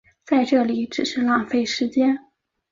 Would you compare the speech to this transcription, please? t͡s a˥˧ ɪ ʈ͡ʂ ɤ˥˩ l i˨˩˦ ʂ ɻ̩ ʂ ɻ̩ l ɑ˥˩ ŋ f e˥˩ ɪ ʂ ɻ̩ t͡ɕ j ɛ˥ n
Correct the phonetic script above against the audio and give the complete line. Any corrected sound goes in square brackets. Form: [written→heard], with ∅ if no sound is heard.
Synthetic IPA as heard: t͡s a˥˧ ɪ ʈ͡ʂ ɤ˥˩ l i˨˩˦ [ʂ→ʈ͡ʂ] ɻ̩ ʂ ɻ̩ l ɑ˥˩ ŋ f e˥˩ ɪ ʂ ɻ̩ t͡ɕ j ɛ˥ n